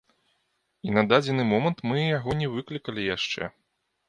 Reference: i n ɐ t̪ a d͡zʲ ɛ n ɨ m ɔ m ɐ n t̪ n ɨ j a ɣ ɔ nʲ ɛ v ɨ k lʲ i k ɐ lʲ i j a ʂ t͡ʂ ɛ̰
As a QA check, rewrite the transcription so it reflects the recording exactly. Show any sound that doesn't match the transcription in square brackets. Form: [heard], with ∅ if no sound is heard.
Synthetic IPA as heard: i n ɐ [d̪] a d͡zʲ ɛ n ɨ m ɔ m ɐ n t̪ [m] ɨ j a ɣ ɔ nʲ ɛ v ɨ k lʲ i k ɐ lʲ i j a ʂ t͡ʂ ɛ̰